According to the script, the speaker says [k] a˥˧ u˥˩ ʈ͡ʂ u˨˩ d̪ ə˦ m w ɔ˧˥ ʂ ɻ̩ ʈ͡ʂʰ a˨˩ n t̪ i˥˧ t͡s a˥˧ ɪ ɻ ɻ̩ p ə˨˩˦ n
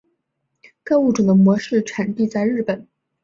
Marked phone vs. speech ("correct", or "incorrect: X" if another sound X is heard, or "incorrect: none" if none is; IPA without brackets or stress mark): correct